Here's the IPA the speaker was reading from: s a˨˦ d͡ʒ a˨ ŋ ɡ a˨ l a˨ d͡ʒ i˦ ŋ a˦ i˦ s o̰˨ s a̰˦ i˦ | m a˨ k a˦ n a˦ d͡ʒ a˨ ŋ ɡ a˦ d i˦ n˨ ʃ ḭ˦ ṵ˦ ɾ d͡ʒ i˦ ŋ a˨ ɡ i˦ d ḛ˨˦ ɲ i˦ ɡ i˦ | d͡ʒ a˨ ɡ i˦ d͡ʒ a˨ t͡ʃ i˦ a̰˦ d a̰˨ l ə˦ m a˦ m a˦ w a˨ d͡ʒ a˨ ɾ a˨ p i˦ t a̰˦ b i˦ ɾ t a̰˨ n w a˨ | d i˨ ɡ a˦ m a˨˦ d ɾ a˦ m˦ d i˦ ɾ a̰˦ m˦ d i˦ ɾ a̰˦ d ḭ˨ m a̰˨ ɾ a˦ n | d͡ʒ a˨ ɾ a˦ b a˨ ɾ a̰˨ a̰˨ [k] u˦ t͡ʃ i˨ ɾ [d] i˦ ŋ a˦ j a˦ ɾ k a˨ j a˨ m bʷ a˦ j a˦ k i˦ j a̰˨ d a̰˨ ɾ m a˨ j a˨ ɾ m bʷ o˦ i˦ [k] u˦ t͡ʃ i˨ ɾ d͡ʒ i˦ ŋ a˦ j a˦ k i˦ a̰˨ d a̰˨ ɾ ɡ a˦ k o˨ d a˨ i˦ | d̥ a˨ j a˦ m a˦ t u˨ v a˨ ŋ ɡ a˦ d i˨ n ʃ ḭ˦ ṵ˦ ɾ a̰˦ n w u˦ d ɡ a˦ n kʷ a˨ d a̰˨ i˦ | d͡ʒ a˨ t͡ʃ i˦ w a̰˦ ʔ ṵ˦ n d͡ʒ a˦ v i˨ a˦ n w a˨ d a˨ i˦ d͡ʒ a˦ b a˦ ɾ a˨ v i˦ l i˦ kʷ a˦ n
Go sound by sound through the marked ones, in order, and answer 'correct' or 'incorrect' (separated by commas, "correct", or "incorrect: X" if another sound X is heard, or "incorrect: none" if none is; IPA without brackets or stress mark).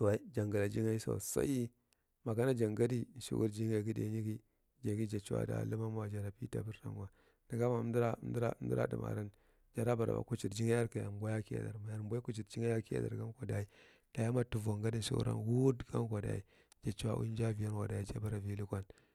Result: correct, incorrect: d͡ʒ, correct